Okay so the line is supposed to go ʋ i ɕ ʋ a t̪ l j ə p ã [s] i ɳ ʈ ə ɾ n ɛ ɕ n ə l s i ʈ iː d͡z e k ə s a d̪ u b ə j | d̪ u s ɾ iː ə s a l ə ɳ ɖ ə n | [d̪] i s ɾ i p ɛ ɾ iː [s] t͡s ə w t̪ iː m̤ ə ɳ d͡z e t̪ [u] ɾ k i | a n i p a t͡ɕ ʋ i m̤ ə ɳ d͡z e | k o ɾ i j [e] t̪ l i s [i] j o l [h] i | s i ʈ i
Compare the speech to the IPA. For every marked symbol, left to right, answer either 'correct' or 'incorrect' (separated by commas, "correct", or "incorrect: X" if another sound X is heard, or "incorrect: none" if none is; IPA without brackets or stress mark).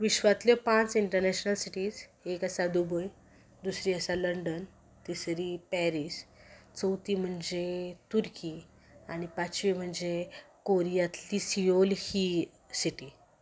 incorrect: t͡s, incorrect: t̪, correct, correct, incorrect: a, correct, correct